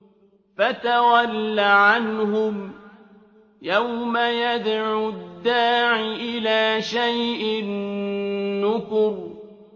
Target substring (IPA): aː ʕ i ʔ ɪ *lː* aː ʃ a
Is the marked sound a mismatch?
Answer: yes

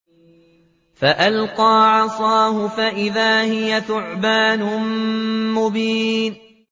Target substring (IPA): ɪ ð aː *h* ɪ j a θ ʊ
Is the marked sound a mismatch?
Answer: no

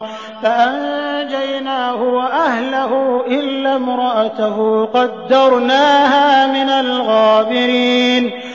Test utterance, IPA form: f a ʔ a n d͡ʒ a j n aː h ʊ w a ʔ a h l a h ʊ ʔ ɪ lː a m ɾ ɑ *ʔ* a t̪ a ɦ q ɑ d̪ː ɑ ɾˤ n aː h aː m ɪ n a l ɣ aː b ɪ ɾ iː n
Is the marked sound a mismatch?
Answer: no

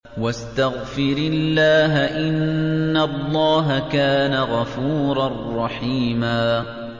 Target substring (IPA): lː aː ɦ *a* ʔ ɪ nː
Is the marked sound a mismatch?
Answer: no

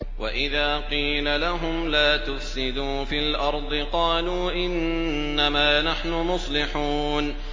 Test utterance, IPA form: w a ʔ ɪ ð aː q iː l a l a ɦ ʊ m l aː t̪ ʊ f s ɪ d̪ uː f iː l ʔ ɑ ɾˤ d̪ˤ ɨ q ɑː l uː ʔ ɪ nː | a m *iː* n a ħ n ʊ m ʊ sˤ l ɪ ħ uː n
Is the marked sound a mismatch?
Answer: yes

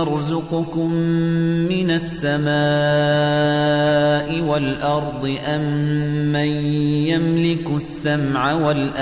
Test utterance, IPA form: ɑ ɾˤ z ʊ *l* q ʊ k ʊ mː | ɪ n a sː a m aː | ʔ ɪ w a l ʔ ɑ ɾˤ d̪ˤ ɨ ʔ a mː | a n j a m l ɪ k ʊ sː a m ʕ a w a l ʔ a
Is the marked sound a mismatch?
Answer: yes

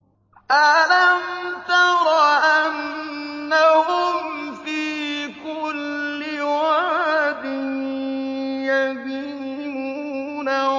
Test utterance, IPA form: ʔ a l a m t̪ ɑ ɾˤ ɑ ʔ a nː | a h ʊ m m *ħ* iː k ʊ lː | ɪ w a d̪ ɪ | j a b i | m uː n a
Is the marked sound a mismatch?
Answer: yes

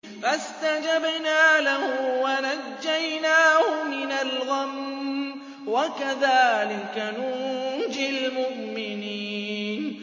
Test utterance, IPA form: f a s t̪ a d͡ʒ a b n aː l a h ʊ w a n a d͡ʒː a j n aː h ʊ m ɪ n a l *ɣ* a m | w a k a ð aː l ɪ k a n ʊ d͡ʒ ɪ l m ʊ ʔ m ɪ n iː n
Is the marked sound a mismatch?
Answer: no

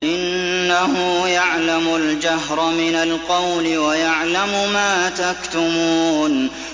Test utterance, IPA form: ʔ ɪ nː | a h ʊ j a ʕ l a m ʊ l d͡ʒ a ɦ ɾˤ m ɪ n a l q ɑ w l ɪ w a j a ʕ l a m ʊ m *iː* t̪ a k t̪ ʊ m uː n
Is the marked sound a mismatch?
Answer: yes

